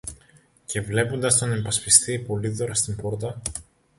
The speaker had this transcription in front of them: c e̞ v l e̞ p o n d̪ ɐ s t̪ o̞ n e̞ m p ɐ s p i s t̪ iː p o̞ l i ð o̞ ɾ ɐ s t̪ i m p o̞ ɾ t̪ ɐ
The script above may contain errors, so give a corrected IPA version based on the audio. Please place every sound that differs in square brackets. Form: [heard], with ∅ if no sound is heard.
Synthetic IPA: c e̞ v l e̞ p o n d̪ ɐ s t̪ o̞ n e̞ m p ɐ s p i s t̪ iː p o̞ l i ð o̞ ɾ ɐ s t̪ i m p o̞ ɾ t̪ ɐ